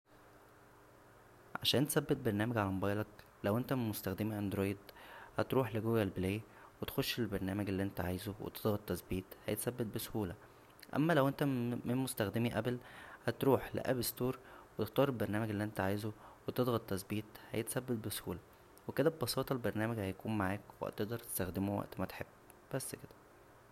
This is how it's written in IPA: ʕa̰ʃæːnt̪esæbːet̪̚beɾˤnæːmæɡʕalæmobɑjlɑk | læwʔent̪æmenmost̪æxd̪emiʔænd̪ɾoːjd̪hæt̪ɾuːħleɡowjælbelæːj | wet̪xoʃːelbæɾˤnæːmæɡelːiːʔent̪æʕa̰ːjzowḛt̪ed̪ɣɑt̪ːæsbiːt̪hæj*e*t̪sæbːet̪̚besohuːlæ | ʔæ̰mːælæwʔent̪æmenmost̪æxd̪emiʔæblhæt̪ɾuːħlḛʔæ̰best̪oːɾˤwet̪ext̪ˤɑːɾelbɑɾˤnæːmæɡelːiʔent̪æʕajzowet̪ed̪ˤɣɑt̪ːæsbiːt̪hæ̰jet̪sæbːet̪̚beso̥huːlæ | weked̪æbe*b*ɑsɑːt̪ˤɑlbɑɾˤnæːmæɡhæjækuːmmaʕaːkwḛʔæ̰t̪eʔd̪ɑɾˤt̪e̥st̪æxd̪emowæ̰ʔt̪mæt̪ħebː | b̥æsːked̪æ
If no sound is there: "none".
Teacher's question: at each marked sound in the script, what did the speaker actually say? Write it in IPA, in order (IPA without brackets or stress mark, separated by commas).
e, b